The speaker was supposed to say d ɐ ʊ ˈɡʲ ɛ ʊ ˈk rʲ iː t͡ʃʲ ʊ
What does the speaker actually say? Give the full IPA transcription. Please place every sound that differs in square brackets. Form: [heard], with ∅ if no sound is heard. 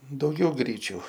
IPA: d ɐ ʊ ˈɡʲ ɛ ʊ [ˈɡ] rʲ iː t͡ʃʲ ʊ